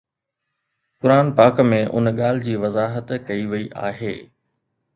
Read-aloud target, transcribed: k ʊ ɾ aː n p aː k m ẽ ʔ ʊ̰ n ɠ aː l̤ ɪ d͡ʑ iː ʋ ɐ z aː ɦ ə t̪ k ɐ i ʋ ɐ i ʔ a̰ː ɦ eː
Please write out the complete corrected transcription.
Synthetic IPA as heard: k ʊ ɾ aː n p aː k m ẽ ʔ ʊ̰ n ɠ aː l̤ ɪ d͡ʑ iː ʋ ɐ z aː ɦ ə t̪ k ɐ i ʋ ɐ i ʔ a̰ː ɦ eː